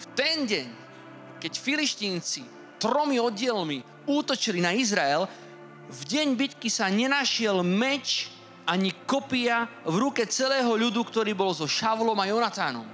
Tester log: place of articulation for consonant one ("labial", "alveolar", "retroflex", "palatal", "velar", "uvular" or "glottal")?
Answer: labial